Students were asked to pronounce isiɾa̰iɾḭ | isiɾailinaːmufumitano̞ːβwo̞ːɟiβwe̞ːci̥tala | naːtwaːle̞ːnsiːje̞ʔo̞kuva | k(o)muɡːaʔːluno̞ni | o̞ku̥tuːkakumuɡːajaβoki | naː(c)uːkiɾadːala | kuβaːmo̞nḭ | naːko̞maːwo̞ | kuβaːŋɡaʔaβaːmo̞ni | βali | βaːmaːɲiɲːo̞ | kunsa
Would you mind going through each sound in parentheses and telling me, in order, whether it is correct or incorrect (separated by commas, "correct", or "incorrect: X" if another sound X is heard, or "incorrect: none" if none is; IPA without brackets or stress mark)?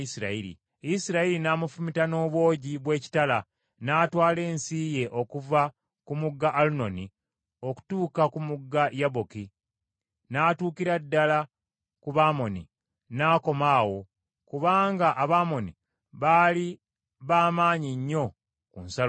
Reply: incorrect: u, incorrect: t